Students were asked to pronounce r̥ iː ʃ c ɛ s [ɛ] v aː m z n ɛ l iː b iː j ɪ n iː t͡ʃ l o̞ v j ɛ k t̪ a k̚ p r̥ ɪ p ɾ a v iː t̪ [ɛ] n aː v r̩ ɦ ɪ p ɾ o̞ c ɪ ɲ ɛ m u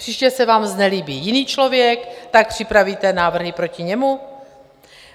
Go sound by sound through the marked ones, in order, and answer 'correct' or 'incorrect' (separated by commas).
correct, correct